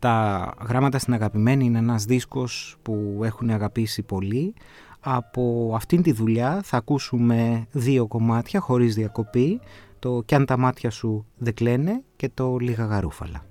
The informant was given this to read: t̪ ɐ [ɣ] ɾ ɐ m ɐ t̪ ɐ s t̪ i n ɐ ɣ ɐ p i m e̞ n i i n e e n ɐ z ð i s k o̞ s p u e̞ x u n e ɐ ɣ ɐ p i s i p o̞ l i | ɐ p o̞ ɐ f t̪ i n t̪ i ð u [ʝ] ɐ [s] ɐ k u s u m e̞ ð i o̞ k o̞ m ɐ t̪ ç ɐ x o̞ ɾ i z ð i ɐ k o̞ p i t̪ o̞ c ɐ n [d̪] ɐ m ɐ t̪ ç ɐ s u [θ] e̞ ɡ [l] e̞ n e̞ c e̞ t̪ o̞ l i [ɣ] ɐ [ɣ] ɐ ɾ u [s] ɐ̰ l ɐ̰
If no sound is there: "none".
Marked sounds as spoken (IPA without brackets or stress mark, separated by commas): ɣ, ʎ, θ, t̪, ð, l, ɣ, ɣ, f